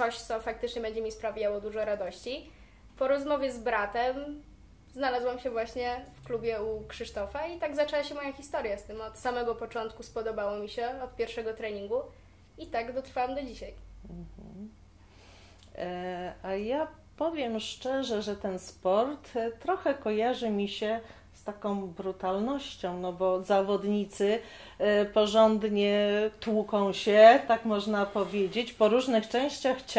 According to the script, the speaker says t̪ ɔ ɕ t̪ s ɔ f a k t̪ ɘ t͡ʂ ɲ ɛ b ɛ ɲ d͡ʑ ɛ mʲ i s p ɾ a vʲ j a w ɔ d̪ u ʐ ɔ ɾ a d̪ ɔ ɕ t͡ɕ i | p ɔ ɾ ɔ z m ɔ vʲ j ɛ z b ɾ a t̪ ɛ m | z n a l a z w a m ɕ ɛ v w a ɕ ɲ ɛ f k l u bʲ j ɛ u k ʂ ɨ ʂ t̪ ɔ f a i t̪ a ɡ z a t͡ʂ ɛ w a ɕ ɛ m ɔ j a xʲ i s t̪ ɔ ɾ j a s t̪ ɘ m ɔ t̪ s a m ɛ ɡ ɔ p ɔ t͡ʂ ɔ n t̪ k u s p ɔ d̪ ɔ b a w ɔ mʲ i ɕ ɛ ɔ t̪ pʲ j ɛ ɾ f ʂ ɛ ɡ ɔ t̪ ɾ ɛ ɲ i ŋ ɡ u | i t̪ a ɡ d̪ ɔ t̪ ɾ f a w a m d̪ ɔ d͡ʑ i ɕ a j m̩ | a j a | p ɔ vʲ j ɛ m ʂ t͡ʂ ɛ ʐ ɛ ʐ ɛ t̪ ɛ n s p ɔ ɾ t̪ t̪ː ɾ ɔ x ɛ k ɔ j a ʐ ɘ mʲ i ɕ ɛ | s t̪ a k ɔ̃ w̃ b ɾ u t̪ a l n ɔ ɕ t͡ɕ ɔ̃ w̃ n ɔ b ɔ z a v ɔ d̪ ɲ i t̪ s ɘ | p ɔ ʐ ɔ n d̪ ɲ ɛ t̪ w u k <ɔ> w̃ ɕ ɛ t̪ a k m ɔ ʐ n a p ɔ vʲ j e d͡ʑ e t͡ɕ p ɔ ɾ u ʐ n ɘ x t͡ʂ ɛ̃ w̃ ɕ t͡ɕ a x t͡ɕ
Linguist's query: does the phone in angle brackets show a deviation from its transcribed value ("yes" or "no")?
yes